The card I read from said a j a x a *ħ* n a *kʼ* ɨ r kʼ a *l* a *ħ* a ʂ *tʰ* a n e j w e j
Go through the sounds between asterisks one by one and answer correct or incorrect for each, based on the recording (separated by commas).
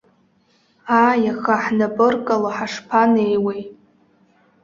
correct, incorrect, correct, correct, incorrect